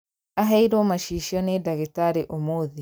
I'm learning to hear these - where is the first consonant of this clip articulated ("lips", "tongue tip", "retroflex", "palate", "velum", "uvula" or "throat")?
throat